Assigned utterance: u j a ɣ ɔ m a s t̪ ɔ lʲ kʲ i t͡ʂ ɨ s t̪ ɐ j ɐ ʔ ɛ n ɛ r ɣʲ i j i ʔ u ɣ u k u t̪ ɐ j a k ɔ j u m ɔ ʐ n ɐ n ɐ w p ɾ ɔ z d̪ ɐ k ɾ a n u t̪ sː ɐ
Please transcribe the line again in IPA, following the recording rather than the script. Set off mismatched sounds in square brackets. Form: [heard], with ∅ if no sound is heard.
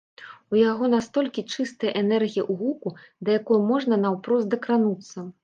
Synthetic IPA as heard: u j a ɣ ɔ [n] a s t̪ ɔ lʲ kʲ i t͡ʂ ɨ s t̪ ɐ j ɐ ʔ ɛ n ɛ r ɣʲ i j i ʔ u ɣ u k u [d̪] ɐ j a k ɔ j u m ɔ ʐ n ɐ n ɐ w p ɾ ɔ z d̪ ɐ k ɾ a n u t̪ sː ɐ